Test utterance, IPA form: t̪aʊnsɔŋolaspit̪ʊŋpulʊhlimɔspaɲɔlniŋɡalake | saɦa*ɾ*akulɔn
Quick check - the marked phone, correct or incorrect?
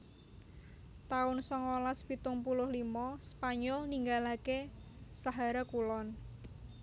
correct